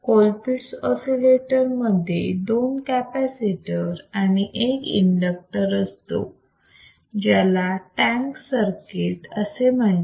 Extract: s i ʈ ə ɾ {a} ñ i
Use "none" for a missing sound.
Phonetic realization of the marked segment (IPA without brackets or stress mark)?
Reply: a